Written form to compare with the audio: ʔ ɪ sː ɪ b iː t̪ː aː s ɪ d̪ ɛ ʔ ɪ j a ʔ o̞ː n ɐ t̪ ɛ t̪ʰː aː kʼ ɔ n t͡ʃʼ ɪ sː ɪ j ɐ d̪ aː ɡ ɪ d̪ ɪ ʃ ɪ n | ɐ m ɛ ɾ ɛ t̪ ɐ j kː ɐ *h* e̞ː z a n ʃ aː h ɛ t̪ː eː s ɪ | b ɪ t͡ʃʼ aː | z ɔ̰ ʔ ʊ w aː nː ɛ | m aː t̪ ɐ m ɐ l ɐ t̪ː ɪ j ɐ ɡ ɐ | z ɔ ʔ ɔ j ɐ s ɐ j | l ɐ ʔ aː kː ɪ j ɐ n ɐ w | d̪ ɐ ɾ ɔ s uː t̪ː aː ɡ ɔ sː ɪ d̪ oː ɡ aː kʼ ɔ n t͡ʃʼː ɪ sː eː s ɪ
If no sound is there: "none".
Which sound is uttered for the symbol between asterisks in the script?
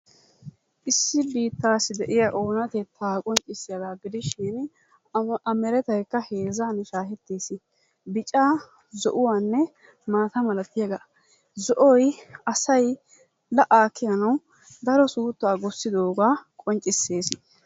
h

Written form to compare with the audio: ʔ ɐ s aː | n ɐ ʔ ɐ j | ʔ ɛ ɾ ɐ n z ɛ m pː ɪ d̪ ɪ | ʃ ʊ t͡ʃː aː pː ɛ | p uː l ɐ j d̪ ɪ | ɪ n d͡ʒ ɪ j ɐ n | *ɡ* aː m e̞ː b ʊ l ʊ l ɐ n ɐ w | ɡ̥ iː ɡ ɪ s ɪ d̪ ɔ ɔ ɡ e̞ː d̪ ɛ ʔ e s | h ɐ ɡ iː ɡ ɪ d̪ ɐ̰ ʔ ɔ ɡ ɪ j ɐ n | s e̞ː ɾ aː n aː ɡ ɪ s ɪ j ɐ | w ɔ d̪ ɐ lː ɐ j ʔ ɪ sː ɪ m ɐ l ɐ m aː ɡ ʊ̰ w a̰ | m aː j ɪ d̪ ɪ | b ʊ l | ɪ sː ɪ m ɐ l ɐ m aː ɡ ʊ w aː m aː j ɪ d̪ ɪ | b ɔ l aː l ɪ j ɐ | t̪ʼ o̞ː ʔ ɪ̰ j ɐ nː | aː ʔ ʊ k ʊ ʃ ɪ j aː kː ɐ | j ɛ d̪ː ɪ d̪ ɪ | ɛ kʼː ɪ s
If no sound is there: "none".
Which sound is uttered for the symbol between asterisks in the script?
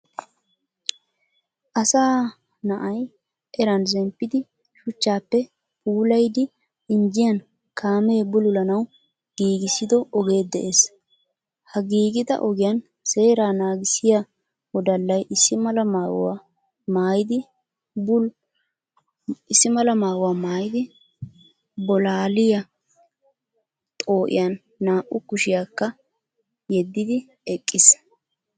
k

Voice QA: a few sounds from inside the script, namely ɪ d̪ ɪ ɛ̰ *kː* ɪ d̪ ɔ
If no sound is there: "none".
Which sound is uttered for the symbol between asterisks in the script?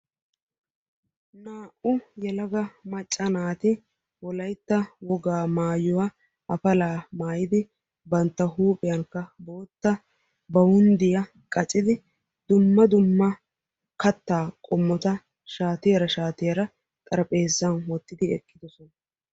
kː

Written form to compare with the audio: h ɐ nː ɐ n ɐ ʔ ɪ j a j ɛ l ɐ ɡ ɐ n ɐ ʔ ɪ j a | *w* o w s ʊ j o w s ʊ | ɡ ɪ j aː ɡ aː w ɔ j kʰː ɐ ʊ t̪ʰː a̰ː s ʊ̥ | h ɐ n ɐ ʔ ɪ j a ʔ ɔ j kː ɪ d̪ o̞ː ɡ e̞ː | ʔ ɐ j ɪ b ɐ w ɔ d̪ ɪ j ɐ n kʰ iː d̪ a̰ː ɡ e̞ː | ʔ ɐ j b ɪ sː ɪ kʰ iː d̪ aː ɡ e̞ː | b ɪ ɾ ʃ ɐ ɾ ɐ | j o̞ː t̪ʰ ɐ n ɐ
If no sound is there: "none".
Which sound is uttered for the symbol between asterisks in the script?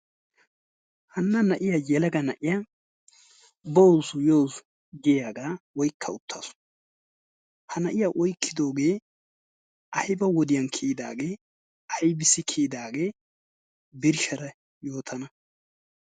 b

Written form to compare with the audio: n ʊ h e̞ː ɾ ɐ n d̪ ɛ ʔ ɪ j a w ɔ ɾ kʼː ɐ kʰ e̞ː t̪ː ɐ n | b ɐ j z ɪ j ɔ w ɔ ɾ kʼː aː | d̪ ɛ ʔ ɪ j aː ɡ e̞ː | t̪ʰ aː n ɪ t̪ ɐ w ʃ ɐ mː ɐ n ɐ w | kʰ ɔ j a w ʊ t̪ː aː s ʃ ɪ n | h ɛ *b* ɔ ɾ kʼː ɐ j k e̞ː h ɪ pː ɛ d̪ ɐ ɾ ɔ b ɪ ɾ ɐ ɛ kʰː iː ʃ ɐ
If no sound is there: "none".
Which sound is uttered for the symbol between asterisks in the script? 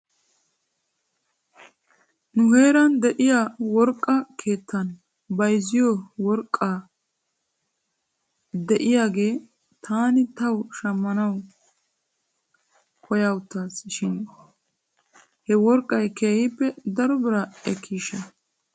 w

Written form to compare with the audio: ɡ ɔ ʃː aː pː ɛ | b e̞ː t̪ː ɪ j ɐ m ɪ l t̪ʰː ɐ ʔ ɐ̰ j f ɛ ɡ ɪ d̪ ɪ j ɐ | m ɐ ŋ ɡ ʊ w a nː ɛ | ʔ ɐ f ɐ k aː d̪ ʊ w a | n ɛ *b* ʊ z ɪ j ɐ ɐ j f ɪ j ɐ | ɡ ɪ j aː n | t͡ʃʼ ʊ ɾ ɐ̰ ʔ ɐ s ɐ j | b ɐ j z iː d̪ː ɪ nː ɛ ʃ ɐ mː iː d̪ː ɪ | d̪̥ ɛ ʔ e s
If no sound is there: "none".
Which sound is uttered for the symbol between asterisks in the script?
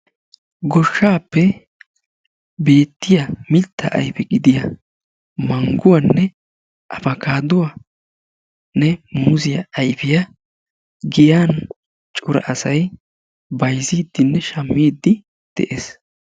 m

